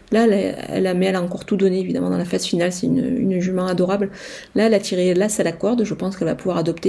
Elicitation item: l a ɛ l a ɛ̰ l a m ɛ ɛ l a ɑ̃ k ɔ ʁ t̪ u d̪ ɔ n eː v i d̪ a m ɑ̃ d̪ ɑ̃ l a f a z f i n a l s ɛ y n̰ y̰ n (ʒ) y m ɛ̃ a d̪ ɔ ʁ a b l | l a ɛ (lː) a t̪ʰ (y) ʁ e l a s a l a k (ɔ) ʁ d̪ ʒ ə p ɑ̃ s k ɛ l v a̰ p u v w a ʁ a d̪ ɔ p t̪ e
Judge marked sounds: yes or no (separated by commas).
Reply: yes, no, no, yes